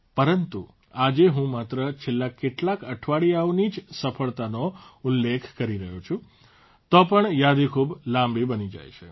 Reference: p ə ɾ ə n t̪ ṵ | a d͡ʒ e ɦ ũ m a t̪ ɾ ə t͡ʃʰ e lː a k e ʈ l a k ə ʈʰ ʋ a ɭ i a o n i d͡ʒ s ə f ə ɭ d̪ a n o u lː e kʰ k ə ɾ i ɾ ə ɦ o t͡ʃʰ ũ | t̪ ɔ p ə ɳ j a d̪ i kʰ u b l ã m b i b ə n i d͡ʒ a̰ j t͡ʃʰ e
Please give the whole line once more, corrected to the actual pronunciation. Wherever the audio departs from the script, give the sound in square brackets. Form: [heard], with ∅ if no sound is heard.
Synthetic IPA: p ə ɾ ə n t̪ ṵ | a d͡ʒ e ɦ ũ m a t̪ ɾ ə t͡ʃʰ e lː a k e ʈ l a k ə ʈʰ ʋ a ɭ i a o n i d͡ʒ s ə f ə ɭ [t̪] a n o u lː e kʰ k ə ɾ i ɾ ə ɦ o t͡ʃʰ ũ | t̪ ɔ p ə ɳ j a d̪ i kʰ u b l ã m b i b ə n i d͡ʒ a̰ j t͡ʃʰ e